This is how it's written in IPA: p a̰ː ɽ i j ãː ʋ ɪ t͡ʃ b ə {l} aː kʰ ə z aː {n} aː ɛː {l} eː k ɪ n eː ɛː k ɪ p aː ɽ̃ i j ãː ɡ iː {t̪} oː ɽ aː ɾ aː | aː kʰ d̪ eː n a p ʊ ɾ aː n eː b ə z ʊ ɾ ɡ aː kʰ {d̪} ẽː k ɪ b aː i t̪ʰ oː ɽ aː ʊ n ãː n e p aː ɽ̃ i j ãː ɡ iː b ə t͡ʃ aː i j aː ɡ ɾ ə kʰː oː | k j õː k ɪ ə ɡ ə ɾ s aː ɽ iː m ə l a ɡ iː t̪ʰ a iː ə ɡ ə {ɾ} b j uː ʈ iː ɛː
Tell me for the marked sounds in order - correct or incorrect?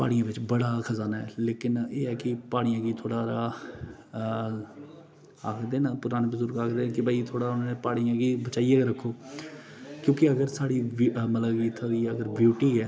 incorrect, correct, correct, incorrect, correct, correct

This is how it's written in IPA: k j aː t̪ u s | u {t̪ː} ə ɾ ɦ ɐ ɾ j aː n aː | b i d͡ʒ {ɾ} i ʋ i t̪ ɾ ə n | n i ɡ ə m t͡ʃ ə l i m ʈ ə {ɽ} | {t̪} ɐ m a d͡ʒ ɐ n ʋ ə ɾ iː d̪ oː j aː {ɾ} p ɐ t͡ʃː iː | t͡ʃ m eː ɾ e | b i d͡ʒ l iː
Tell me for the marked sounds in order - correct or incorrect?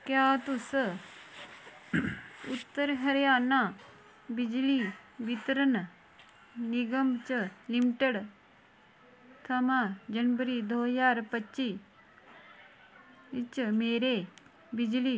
correct, incorrect, correct, incorrect, correct

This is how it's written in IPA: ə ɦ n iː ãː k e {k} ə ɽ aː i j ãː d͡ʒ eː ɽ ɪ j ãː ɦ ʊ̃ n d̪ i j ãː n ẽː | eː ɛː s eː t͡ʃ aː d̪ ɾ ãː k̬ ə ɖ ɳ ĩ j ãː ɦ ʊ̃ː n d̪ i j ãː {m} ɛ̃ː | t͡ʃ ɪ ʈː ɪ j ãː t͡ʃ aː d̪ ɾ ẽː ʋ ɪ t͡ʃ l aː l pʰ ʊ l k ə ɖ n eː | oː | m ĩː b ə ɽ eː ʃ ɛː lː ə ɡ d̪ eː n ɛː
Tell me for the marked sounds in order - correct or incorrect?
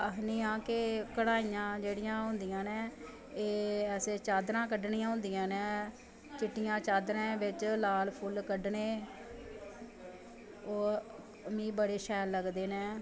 correct, incorrect

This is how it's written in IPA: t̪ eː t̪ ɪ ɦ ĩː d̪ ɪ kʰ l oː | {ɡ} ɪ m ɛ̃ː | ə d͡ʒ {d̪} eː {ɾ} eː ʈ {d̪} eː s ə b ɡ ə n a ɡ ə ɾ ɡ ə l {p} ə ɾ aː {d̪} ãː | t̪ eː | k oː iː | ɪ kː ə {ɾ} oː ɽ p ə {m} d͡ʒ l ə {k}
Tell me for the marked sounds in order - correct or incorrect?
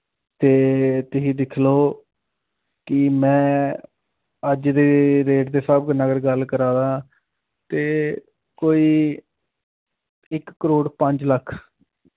incorrect, correct, correct, correct, incorrect, correct, correct, incorrect, incorrect

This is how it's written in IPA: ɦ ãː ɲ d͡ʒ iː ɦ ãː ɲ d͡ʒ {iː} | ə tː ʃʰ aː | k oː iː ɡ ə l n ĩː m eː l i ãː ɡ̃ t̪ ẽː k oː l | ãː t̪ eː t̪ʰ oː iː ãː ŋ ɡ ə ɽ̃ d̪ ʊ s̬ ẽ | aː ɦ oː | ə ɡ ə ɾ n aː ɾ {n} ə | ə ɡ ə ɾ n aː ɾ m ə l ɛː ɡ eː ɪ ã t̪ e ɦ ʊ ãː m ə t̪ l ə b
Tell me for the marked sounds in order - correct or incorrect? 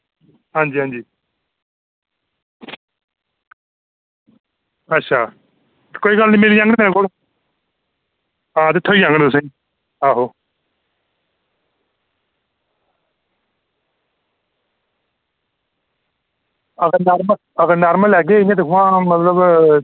correct, incorrect

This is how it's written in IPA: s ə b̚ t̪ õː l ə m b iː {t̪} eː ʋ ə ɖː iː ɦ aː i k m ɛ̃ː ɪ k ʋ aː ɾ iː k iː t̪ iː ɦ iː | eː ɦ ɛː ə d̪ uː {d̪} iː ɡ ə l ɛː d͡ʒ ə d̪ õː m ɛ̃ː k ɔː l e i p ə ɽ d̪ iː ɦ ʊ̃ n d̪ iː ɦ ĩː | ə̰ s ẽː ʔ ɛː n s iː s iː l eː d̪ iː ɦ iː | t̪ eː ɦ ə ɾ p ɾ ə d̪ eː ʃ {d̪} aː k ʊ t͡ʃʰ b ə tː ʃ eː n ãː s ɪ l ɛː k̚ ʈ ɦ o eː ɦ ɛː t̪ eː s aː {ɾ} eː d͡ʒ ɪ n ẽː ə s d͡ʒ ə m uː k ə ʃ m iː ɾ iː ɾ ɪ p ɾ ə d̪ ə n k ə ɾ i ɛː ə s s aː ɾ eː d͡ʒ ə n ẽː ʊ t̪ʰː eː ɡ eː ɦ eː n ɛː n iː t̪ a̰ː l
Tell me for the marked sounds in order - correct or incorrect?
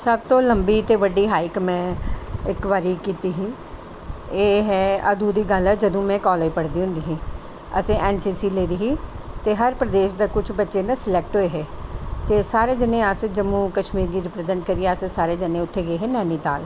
correct, correct, correct, correct

